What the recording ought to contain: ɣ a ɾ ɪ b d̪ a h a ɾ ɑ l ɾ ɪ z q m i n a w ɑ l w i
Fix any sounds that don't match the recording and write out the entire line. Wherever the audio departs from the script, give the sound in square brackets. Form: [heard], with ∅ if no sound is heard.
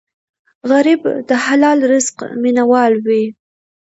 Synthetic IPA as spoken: ɣ a ɾ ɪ b d̪ [ə] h a [l] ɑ l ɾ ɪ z q m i n a w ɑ l w i